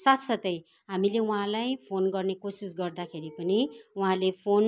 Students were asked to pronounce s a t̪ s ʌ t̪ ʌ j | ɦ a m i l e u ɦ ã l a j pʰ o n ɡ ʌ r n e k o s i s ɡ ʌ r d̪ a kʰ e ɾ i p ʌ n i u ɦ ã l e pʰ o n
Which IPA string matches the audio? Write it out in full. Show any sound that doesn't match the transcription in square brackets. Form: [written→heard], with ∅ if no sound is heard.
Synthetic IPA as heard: s a t̪ s ʌ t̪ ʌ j | ɦ a m i l e u ɦ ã l a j pʰ o n ɡ ʌ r n e k o s i s ɡ ʌ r d̪ a kʰ e ɾ i p ʌ n i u ɦ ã l e pʰ o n